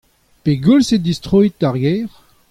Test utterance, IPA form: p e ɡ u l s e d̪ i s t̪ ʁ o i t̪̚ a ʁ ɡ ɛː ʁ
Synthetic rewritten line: p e ɡ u l s e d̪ i s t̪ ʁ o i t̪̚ a ʁ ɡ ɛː ʁ